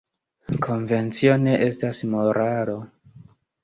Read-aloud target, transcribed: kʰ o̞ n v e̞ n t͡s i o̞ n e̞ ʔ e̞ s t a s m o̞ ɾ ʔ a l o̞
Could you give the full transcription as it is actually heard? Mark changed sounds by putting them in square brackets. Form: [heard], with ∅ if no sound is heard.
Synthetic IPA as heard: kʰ o̞ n v e̞ n t͡s i o̞ n e̞ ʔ e̞ s t a s m o̞ ɾ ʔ a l o̞